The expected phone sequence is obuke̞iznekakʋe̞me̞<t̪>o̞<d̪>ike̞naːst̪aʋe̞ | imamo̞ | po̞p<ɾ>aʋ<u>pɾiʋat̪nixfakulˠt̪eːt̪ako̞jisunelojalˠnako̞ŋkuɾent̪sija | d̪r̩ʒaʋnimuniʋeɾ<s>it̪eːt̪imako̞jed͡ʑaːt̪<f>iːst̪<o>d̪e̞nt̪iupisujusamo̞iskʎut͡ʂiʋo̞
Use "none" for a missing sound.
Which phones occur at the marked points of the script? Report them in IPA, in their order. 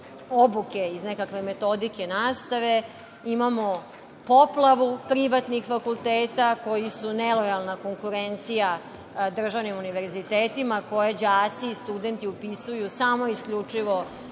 t̪, d̪, l, u, z, s, u

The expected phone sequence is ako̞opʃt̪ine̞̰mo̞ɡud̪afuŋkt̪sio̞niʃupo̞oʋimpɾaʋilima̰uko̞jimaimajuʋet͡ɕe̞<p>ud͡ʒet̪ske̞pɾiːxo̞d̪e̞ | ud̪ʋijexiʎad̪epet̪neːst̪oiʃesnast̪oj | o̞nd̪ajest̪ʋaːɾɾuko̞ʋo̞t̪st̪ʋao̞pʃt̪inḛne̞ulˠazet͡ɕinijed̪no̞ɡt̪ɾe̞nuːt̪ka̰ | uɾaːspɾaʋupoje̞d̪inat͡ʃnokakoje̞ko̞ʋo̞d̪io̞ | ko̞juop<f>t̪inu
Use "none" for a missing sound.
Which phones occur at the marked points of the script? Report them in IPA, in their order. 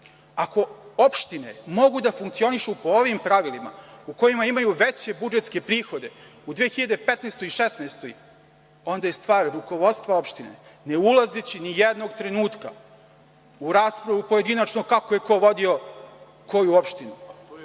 b, ʃ

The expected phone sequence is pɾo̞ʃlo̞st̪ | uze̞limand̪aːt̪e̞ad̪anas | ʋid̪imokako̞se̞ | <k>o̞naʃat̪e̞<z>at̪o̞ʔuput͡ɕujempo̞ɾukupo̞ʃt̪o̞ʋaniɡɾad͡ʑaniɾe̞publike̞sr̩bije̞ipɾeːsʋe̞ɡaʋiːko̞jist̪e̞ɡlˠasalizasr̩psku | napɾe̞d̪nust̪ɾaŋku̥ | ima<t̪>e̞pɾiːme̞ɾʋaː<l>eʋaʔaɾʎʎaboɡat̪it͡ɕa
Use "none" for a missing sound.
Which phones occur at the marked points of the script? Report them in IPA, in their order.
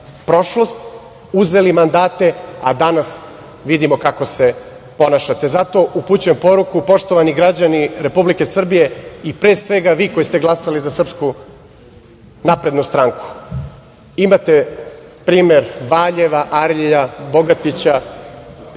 p, z, t̪, ʎ

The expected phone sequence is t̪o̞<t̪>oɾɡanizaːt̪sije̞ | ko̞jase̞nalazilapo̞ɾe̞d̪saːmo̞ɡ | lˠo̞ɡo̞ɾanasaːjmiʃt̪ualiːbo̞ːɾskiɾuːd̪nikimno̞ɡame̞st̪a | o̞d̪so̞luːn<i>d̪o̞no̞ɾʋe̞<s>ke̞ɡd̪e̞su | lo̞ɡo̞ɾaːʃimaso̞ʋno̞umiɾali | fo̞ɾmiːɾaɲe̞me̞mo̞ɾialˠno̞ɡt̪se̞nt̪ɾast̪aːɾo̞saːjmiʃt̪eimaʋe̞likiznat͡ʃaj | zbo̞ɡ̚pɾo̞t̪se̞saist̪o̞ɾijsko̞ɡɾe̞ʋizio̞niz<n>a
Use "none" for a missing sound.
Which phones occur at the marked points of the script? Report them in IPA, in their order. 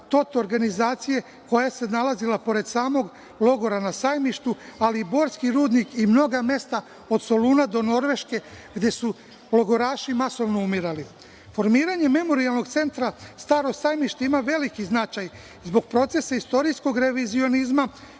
t̪, a, ʃ, m

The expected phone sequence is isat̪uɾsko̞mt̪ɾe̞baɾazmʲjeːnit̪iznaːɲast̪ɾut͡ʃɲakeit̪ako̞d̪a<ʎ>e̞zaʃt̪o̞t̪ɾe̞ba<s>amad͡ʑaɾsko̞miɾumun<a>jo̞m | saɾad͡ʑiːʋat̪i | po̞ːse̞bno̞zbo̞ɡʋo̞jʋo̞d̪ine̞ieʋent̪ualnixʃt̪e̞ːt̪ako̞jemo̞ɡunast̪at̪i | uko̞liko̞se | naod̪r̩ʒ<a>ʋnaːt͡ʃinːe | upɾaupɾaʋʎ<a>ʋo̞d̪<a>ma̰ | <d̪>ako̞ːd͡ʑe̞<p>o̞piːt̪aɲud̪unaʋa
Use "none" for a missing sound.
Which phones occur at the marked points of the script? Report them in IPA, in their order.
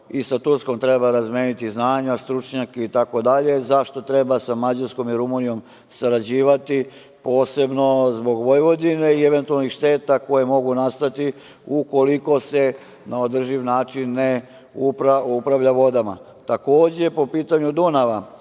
ʎ, s, i, i, a, a, t̪, p

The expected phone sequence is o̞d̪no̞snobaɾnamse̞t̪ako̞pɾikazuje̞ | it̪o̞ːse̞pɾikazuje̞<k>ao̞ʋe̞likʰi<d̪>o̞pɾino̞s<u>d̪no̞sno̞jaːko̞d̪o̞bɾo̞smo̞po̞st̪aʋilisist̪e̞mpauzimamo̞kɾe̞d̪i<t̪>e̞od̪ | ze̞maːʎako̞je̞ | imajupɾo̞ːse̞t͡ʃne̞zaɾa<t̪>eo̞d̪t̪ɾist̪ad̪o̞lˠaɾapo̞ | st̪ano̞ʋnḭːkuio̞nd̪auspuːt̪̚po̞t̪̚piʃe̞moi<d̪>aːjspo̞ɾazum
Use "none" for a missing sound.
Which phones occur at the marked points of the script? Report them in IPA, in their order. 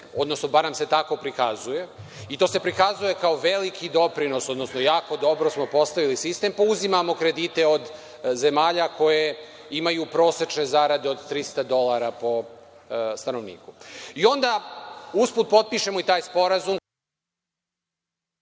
k, d̪, o, t̪, d̪, t̪

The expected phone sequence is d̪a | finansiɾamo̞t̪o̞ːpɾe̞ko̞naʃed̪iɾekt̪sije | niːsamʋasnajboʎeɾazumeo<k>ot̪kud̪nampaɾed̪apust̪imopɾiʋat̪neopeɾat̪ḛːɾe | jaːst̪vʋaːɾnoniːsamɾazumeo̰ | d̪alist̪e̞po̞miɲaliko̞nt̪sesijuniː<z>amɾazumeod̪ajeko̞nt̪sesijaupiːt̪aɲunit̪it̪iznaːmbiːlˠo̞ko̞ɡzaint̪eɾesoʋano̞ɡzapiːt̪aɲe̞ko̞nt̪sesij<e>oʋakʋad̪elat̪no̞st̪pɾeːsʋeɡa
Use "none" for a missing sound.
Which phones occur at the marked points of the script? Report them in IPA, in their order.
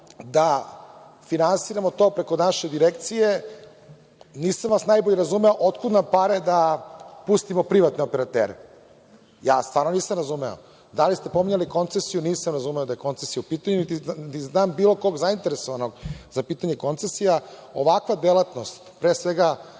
ʔ, s, a

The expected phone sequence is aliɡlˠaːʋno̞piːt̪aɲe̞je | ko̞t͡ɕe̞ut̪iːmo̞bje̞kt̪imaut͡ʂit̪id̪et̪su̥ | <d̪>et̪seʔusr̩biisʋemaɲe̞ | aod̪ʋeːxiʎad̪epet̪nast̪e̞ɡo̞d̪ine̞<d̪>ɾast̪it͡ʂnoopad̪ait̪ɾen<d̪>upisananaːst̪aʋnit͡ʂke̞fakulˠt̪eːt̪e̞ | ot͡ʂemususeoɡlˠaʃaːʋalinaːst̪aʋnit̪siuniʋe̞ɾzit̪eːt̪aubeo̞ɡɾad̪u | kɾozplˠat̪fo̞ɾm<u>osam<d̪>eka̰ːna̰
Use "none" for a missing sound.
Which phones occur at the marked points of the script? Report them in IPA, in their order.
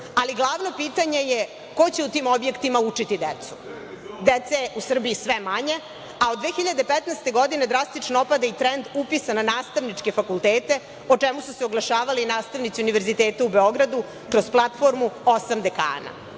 d̪, d̪, d̪, u, d̪

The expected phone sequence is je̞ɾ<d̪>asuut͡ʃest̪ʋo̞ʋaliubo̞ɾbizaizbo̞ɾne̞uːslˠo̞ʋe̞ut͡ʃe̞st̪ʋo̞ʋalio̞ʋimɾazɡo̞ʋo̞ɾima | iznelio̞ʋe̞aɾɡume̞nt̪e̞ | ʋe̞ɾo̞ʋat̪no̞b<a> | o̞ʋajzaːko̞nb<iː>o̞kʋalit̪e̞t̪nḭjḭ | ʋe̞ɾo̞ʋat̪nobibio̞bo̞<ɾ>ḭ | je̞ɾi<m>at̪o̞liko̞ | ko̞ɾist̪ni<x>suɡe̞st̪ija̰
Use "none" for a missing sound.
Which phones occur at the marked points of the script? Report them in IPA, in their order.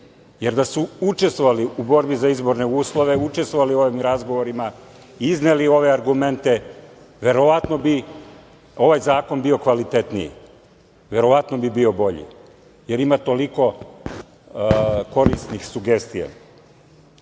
d̪, i, i, ʎ, m, x

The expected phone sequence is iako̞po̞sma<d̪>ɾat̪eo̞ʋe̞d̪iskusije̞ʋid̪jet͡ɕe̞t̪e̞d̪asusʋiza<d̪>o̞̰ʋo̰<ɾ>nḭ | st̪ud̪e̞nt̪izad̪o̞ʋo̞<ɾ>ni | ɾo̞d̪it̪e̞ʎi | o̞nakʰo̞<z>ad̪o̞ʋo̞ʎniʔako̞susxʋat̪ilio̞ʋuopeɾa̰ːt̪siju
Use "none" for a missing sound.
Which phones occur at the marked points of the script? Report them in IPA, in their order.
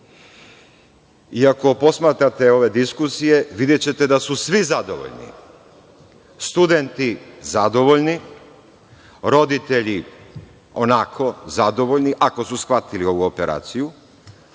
t̪, d̪, ʎ, ʎ, z

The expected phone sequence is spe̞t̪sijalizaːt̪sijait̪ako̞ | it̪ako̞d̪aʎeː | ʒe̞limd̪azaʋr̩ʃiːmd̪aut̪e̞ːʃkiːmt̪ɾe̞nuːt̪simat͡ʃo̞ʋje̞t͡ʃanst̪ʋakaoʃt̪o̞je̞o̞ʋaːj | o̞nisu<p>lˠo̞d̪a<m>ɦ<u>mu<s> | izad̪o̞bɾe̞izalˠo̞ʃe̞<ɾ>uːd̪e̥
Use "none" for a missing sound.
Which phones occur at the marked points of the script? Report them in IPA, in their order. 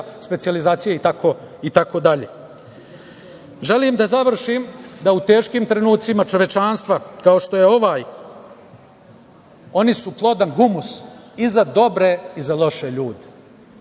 p, n, u, s, ʎ

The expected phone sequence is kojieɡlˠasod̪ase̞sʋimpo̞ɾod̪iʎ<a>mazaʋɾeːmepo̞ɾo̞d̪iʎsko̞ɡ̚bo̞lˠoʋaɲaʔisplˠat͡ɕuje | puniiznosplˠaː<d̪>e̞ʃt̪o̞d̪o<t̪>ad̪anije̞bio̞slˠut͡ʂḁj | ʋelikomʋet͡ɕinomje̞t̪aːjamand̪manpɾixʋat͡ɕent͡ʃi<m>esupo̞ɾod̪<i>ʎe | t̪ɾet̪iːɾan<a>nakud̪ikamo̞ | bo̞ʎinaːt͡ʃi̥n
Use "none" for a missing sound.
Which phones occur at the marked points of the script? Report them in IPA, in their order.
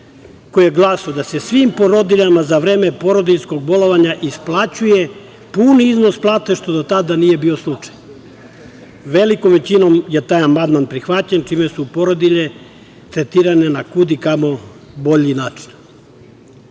a, t̪, t̪, m, i, e

